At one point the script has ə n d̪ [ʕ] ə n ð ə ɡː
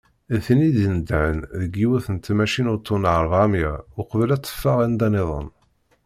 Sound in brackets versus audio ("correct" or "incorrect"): correct